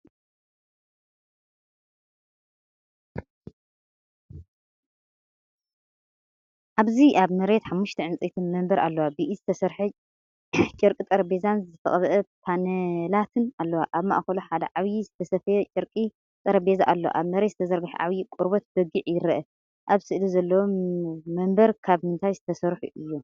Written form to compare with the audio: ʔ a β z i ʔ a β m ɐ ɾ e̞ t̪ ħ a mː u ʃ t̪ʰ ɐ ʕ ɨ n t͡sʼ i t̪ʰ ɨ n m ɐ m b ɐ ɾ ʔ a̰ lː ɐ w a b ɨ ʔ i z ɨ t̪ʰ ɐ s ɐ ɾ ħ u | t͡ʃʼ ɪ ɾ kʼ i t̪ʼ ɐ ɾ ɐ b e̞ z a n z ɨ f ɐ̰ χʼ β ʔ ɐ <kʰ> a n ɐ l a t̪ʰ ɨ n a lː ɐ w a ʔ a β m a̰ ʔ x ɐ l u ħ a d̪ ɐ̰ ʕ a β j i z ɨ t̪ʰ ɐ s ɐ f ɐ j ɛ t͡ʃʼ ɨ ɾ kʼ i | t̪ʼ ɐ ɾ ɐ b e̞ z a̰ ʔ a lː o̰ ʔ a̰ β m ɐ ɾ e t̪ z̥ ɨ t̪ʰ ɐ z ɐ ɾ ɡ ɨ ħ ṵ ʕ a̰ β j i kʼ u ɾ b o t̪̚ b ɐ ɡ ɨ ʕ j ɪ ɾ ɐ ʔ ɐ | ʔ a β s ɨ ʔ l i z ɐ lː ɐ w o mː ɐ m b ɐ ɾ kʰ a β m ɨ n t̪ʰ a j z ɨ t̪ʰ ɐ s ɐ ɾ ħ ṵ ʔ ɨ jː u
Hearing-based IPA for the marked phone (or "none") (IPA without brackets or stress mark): pʰ